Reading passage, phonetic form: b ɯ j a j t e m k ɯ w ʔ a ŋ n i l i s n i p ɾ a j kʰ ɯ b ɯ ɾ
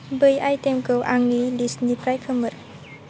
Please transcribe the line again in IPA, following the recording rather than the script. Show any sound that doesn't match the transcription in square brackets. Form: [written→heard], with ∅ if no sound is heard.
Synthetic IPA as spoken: b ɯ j a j t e m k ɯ w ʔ a ŋ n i l i s n i p ɾ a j kʰ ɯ [b→m] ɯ ɾ

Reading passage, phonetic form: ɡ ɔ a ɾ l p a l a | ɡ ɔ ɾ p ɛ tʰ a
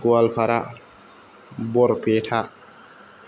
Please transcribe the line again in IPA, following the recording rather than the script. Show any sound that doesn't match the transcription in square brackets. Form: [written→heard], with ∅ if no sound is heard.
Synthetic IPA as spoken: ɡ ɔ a [ɾ→∅] l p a [l→ɾ] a | [ɡ→b] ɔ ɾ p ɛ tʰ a

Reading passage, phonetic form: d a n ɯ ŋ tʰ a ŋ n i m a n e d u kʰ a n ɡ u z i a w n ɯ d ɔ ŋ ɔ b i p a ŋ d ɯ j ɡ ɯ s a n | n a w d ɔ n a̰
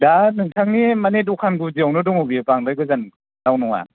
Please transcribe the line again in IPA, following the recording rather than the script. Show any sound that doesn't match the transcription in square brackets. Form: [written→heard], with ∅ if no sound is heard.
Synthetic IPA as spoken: d a n ɯ ŋ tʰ a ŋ n i m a n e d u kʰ a n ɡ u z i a w n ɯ d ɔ ŋ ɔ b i p a ŋ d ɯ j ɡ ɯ [s→z] a n | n a w [d→n] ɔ [n→ŋ] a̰

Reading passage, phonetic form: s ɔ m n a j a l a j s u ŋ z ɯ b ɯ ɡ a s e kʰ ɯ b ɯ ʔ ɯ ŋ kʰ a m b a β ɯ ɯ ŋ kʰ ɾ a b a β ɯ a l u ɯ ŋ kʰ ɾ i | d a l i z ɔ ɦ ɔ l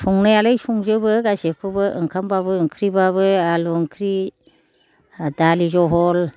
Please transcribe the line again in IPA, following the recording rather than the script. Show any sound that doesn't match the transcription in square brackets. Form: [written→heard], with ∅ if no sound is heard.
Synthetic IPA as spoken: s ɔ [m→ŋ] n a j a l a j s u ŋ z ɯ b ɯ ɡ a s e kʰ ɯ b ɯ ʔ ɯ ŋ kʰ a m b a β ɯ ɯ ŋ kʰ ɾ [a→i] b a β ɯ a l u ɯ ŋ kʰ ɾ i | d a l i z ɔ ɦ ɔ l

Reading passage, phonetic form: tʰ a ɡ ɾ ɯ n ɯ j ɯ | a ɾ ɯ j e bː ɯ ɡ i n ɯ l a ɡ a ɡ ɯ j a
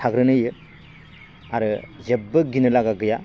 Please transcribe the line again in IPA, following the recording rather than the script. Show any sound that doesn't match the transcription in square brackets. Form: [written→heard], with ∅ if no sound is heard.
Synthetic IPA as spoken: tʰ a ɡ ɾ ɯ n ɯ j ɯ | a ɾ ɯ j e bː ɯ ɡ i n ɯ l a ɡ a ɡ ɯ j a

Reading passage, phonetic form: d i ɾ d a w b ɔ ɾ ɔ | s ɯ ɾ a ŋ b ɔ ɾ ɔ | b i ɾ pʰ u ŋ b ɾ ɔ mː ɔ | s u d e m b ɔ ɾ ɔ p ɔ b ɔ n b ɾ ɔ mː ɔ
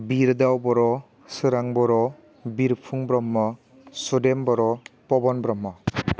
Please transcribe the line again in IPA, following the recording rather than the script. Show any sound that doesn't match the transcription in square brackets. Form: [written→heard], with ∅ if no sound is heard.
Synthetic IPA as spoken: [d→b] i ɾ d a w b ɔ ɾ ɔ | s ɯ ɾ a ŋ b ɔ ɾ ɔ | b i ɾ pʰ u ŋ b ɾ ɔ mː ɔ | s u d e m b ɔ ɾ ɔ p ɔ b ɔ n b ɾ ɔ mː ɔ

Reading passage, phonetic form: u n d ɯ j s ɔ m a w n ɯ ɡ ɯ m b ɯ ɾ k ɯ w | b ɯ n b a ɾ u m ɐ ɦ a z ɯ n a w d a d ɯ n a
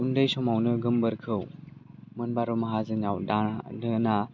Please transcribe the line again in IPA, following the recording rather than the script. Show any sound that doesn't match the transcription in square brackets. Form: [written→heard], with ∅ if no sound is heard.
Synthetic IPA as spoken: u n d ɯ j s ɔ m a w n ɯ ɡ ɯ m b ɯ ɾ [k→kʰ] ɯ w | [b→m] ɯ n b a ɾ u m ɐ ɦ a z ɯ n a w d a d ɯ n a

